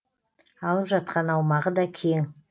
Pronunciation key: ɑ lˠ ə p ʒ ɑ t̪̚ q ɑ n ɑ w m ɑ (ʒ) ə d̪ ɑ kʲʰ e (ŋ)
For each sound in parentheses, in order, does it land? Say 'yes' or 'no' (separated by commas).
no, yes